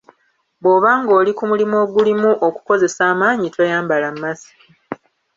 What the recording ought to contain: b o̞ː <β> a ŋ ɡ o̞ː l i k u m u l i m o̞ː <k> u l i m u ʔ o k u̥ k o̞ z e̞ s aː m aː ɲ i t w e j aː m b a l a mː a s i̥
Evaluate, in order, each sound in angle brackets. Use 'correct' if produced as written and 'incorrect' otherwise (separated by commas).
correct, incorrect